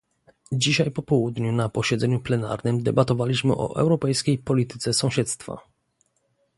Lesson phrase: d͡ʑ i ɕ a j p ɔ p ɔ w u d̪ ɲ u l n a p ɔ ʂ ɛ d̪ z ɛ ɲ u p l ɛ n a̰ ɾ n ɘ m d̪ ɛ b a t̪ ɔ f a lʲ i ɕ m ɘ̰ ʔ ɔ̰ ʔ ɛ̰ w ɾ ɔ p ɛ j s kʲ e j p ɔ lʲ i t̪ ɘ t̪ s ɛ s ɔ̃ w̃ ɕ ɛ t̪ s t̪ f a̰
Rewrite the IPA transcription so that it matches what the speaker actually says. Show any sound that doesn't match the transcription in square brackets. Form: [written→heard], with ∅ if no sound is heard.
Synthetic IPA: d͡ʑ i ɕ a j p ɔ p ɔ w u d̪ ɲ u [l→∅] n a p ɔ [ʂ→ɕ] ɛ d̪ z ɛ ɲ u p l ɛ n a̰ ɾ n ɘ m d̪ ɛ b a t̪ ɔ [f→v] a lʲ i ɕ m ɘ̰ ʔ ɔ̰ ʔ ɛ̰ w ɾ ɔ p ɛ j s kʲ e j p ɔ lʲ i t̪ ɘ t̪ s ɛ s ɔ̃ w̃ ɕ ɛ t̪ s t̪ f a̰